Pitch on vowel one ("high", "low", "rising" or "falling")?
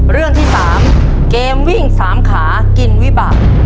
falling